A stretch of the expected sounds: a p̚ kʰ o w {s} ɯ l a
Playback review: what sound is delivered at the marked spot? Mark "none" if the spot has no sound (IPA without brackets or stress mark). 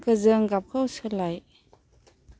s